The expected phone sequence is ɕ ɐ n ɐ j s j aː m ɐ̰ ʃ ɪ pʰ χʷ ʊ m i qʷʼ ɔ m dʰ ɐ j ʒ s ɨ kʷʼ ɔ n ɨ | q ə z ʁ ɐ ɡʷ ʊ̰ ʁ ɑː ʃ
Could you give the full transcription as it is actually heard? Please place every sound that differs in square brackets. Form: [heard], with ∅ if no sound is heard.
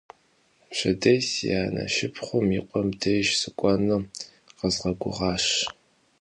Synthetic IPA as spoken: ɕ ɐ [d] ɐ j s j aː [n] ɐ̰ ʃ ɪ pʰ χʷ ʊ m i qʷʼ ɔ m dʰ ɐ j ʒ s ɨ kʷʼ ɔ n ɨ | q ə z ʁ ɐ ɡʷ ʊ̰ ʁ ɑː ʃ